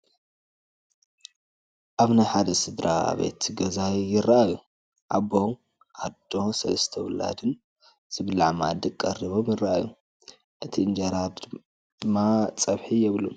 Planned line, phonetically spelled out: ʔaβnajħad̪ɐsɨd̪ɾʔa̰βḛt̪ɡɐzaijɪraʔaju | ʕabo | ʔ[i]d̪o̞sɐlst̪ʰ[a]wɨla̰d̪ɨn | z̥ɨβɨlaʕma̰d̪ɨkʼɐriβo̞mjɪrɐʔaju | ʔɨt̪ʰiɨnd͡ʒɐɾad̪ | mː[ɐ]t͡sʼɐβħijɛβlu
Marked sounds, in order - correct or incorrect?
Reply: incorrect, incorrect, incorrect

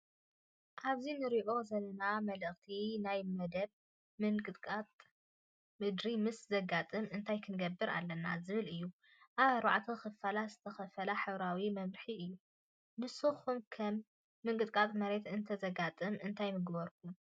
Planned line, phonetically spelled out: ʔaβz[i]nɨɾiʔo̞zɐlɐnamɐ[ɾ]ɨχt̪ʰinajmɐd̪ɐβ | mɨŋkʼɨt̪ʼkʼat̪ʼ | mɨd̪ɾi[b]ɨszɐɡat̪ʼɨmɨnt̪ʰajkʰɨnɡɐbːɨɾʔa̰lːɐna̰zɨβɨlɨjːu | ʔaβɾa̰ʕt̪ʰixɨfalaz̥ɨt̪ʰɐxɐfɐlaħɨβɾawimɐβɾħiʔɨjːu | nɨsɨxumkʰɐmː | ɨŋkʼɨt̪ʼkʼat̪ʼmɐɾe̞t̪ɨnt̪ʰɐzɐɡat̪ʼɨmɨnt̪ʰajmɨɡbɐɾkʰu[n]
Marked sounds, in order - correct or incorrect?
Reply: correct, incorrect, incorrect, incorrect

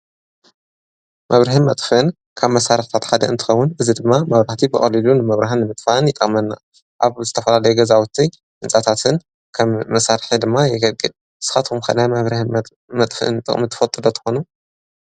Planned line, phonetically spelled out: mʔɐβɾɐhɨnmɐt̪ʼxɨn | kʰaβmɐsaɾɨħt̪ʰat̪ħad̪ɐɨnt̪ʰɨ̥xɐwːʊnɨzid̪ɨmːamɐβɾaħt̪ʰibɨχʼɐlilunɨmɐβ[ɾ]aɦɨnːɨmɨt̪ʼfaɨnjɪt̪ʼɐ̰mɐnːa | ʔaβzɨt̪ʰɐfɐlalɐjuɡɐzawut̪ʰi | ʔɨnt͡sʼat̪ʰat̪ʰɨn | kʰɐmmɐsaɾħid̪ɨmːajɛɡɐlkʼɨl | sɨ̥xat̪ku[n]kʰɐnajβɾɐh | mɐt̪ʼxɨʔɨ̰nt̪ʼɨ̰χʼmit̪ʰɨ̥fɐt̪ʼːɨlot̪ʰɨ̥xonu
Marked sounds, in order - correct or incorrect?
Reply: correct, incorrect

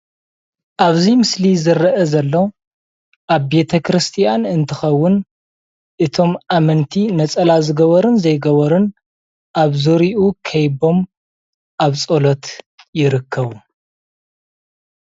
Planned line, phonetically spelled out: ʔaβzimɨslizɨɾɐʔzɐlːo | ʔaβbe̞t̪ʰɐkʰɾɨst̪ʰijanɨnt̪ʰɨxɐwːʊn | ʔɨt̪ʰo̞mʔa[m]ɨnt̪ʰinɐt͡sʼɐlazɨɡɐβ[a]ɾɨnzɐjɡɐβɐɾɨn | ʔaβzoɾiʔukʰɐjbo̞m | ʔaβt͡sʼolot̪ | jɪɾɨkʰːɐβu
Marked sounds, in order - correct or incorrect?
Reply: correct, incorrect

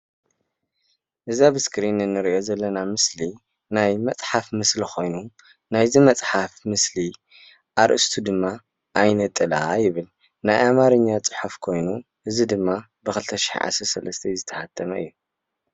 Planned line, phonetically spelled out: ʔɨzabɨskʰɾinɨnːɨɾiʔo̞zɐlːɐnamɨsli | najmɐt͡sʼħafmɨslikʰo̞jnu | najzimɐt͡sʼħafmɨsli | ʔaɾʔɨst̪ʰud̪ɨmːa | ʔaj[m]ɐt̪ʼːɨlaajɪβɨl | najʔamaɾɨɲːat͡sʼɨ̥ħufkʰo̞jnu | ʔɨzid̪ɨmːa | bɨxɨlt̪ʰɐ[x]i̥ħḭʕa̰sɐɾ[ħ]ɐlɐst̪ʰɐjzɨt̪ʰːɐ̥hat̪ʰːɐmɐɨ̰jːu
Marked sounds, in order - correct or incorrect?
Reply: incorrect, incorrect, incorrect

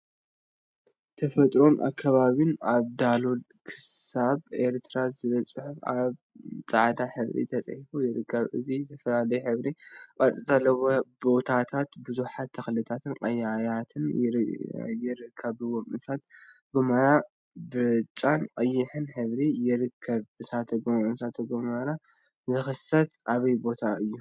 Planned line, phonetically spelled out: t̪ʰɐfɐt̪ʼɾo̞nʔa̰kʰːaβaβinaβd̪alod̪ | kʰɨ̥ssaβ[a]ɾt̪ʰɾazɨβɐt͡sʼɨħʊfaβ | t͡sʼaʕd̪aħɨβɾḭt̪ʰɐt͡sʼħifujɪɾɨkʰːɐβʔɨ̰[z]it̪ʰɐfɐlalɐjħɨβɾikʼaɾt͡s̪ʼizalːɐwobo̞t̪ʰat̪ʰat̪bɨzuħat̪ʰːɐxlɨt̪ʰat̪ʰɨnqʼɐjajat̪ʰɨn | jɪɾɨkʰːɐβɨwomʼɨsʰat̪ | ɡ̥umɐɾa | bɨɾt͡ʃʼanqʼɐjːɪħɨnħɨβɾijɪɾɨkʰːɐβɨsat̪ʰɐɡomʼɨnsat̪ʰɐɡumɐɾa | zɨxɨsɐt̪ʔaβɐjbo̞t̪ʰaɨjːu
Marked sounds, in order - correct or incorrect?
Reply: incorrect, correct

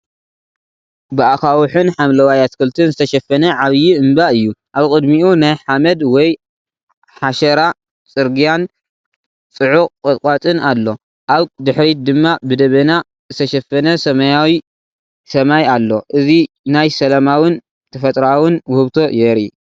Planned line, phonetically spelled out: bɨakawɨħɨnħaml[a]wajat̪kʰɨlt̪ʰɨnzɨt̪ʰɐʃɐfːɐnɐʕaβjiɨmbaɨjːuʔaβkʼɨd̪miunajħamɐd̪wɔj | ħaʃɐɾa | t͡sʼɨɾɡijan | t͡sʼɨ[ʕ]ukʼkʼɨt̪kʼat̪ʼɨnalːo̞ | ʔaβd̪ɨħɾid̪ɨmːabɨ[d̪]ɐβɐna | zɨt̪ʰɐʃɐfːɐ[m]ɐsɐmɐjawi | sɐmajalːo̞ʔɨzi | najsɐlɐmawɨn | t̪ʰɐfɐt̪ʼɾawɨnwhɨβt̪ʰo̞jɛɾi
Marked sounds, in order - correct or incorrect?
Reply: incorrect, correct, correct, incorrect

